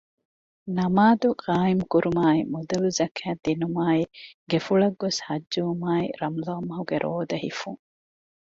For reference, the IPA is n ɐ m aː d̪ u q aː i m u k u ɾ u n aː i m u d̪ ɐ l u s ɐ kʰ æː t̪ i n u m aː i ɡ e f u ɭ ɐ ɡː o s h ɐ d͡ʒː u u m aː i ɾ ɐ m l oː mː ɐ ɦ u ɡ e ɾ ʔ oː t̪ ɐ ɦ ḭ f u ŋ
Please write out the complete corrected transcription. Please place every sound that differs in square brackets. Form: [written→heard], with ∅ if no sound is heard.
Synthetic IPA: n ɐ m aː d̪ u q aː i m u k u ɾ u [n→m] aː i m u d̪ ɐ l u [s→z] ɐ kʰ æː [t̪→d̪] i n u m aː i ɡ e f u ɭ ɐ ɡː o s h ɐ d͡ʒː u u m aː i ɾ ɐ m l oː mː ɐ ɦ u ɡ e ɾ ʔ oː [t̪→d̪] ɐ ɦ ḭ f u ŋ